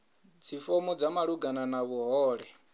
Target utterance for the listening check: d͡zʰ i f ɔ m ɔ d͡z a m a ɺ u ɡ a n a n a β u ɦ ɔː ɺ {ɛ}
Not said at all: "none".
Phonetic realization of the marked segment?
ɛ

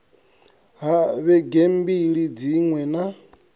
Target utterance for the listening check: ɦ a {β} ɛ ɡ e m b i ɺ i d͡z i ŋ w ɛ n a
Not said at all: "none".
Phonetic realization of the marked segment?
β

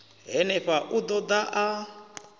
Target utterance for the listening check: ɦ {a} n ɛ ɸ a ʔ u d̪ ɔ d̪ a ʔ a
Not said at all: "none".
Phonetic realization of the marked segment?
ɛ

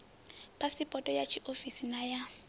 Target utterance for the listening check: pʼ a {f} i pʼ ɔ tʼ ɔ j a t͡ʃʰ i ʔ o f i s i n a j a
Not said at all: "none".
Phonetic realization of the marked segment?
s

